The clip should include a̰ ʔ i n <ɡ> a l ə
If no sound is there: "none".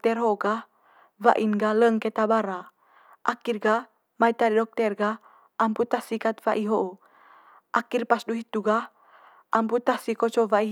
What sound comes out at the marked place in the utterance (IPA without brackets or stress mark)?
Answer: ɡ